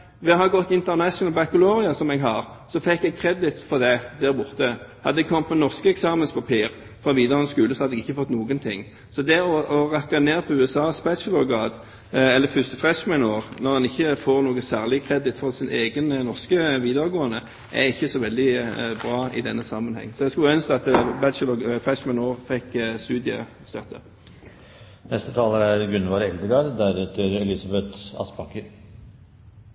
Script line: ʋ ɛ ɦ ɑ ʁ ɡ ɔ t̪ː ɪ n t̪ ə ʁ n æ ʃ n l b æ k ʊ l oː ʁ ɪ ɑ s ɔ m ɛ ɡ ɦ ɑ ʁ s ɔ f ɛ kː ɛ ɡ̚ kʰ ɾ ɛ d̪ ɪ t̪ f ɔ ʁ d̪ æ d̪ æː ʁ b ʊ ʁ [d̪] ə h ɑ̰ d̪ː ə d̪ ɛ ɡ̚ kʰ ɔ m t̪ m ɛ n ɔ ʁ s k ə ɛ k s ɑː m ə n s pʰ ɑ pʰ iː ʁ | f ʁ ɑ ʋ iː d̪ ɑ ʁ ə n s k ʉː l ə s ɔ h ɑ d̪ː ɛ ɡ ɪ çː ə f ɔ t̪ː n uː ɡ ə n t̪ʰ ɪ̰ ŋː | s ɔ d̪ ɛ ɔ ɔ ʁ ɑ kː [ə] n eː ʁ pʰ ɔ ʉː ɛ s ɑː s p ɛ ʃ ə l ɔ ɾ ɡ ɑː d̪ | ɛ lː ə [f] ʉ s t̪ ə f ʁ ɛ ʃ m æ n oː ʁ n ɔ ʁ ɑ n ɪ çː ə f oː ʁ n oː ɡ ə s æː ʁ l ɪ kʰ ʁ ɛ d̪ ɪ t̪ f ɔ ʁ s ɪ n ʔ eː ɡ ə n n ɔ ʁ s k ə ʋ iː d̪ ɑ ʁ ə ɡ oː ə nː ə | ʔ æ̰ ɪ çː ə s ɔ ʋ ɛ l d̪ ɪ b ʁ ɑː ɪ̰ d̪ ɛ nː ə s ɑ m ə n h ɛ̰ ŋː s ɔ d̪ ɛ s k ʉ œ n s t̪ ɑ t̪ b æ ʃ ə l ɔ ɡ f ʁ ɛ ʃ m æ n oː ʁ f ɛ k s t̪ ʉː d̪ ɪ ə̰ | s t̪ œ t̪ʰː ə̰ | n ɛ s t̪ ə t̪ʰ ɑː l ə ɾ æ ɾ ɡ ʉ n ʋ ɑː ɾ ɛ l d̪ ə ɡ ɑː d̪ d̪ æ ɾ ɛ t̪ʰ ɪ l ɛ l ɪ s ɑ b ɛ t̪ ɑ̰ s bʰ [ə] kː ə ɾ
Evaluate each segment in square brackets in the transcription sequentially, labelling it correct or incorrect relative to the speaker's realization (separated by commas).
incorrect, incorrect, correct, incorrect